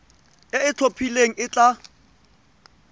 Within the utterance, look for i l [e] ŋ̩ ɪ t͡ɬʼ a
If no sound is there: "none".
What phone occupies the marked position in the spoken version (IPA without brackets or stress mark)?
e